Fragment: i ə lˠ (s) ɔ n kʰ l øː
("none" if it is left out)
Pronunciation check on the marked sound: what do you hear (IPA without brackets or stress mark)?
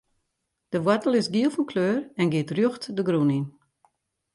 f